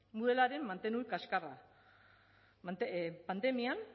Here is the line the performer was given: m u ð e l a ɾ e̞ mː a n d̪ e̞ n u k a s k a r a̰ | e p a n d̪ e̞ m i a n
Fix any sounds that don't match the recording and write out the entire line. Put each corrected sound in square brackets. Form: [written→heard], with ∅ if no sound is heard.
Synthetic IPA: m u ð e l a ɾ e̞ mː a n [d̪→t̪] e̞ n u k a s k a r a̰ | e p a n d̪ e̞ m i a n